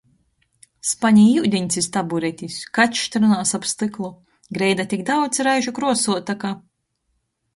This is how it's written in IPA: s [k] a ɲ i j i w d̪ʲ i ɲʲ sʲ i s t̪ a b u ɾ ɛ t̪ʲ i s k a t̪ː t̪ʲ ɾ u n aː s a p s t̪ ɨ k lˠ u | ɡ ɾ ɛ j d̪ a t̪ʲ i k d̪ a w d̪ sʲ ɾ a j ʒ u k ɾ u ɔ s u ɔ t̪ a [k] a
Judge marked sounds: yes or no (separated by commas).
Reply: no, yes